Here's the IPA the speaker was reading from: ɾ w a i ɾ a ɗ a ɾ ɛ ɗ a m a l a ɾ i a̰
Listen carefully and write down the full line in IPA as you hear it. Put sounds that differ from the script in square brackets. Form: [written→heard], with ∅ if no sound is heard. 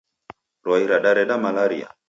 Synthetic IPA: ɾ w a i ɾ a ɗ a ɾ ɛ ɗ a m a l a ɾ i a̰